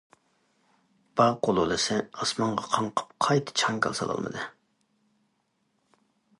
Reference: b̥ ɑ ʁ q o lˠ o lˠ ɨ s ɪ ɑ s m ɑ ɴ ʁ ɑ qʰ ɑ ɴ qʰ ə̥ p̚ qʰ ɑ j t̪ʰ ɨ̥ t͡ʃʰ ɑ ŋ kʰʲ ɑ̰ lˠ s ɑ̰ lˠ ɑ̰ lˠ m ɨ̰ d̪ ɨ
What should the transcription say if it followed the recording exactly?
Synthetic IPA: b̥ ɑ ʁ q o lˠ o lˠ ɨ s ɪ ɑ s m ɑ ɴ ʁ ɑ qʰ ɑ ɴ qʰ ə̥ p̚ qʰ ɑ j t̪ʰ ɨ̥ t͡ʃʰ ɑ ŋ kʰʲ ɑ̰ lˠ s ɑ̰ lˠ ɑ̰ lˠ m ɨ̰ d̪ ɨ